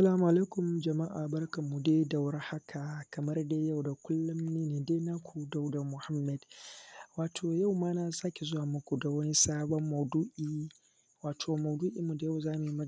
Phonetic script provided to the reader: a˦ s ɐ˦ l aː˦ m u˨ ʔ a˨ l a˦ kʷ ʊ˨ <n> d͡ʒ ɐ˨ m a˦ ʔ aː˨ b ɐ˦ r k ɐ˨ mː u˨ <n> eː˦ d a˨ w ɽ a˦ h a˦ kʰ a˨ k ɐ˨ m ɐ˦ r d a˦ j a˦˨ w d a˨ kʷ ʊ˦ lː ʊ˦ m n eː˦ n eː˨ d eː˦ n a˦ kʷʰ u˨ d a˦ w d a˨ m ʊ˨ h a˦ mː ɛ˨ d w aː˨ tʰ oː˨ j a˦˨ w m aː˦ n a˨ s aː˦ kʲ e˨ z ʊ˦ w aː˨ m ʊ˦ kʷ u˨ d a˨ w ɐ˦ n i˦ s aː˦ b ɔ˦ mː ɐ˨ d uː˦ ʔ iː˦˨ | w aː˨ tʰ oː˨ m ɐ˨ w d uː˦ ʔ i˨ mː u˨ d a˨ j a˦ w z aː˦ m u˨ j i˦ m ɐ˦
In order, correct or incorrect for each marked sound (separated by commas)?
incorrect, incorrect